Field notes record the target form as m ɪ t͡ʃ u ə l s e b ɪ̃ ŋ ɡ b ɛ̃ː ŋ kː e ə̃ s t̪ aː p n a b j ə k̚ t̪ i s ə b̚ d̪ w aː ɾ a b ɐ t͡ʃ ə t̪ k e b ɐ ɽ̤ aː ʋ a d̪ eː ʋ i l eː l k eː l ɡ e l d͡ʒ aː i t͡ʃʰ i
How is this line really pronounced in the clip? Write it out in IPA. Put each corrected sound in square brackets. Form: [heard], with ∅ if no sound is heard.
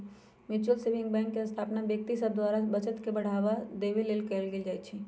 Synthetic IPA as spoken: m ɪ t͡ʃ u ə l s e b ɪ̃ ŋ ɡ b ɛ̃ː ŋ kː e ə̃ s [t̪ʰ] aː p n a b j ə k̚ t̪ i s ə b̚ d̪ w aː ɾ a b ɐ t͡ʃ ə t̪ k e b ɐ ɽ̤ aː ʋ a d̪ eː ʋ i l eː l k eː l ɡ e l d͡ʒ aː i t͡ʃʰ i